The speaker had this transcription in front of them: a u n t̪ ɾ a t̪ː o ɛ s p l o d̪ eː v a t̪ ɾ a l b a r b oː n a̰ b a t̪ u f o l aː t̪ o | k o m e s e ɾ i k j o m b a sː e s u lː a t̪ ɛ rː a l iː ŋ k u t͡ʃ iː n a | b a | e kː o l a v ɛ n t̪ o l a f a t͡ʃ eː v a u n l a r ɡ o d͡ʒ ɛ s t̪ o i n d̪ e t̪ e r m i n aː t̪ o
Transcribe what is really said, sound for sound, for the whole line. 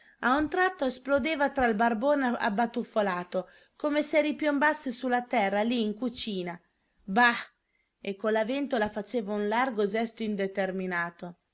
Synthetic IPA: a u n t̪ ɾ a t̪ː o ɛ s p l o d̪ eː v a t̪ ɾ a l b a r b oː n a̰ b a t̪ u f o l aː t̪ o | k o m e s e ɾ i p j o m b a sː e s u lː a t̪ ɛ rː a l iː ŋ k u t͡ʃ iː n a | b a | e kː o l a v ɛ n t̪ o l a f a t͡ʃ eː v a u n l a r ɡ o d͡ʒ ɛ s t̪ o i n d̪ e t̪ e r m i n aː t̪ o